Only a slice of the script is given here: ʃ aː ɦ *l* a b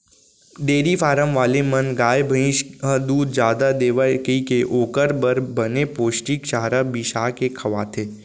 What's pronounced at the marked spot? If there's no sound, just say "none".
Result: ɾ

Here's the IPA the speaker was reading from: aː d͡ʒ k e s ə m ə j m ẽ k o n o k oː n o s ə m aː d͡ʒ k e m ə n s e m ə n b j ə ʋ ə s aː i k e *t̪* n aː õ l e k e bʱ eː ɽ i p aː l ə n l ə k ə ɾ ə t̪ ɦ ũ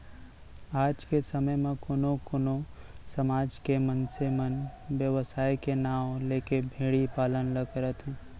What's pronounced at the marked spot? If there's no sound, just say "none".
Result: none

